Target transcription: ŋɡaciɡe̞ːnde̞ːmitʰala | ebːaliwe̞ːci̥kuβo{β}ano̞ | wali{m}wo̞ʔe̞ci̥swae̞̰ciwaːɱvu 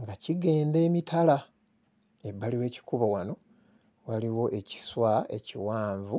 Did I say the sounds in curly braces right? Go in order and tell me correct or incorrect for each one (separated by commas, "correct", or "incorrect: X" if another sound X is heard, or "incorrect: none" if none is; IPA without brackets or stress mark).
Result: incorrect: w, incorrect: none